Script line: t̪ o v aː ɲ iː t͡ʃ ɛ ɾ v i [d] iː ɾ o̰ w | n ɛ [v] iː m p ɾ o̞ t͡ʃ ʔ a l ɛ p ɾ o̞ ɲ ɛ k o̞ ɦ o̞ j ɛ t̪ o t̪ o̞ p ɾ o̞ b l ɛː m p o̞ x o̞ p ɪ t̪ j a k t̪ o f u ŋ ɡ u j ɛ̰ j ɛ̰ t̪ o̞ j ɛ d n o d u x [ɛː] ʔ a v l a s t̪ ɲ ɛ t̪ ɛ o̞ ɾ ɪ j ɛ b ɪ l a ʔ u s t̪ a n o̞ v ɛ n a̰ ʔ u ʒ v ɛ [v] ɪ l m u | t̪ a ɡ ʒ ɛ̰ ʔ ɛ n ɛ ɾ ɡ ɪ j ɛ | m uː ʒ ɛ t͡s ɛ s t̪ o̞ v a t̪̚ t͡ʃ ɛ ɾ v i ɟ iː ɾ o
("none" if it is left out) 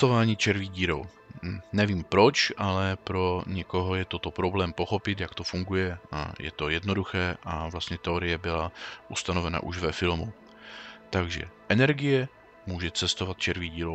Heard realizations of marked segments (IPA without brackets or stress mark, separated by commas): ɟ, v, ɛː, f